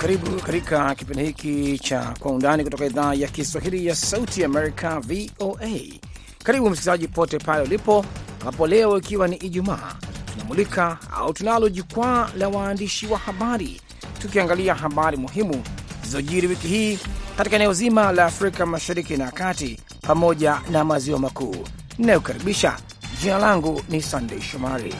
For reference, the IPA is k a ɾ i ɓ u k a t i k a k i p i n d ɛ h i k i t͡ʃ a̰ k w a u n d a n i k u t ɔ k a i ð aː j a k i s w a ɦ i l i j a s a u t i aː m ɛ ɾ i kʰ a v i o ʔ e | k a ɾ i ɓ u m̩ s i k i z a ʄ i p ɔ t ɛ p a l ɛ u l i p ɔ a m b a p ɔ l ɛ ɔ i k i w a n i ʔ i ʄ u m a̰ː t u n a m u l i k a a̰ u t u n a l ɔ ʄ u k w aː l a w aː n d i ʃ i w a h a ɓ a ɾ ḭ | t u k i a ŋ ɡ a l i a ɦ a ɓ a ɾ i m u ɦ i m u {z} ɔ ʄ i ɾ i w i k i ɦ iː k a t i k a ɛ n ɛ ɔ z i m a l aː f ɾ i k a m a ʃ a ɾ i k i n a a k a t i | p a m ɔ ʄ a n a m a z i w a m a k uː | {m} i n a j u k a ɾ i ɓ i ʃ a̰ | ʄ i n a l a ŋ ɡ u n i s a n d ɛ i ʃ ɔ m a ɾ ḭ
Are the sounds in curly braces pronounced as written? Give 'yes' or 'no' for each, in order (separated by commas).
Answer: yes, no